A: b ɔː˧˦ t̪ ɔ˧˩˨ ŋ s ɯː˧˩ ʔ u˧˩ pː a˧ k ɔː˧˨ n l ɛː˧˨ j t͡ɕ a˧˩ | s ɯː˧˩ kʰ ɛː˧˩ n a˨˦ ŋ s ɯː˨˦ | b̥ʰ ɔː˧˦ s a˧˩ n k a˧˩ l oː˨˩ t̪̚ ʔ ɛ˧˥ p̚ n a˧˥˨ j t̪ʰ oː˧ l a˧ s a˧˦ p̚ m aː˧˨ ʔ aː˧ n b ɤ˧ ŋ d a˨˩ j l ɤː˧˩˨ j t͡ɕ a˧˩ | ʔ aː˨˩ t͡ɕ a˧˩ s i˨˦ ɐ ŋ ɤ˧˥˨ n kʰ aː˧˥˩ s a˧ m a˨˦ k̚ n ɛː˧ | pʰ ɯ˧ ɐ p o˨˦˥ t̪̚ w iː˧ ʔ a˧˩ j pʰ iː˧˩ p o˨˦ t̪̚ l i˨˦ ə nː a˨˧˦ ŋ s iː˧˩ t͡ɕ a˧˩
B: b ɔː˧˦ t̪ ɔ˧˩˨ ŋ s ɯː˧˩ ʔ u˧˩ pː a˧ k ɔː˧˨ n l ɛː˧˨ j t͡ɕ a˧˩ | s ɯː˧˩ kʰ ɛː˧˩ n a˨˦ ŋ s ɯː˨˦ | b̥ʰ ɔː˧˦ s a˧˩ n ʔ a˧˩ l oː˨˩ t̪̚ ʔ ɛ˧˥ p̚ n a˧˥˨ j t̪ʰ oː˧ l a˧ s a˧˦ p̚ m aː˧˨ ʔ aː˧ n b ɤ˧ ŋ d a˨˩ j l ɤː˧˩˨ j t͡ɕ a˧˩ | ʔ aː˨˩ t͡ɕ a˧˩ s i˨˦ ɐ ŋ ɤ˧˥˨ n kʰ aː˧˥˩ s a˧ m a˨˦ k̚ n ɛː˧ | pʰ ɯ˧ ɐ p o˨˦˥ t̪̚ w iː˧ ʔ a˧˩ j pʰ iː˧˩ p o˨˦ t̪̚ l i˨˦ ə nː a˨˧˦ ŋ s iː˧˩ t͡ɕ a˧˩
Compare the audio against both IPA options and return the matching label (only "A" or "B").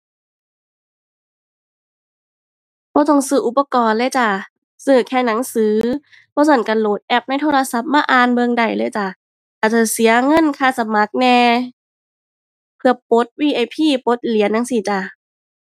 A